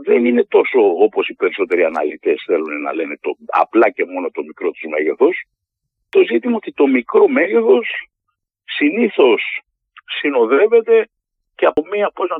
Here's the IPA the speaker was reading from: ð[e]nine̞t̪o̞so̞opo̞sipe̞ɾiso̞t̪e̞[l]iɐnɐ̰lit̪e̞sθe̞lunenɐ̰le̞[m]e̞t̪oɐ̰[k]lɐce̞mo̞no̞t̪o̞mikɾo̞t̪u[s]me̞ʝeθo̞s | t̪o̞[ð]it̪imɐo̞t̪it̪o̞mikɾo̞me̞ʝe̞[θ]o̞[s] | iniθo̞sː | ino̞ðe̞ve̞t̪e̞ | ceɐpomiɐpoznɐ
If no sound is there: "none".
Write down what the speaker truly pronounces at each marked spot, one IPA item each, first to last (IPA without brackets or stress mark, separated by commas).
e, ɾ, n, p, z, z, θ, sː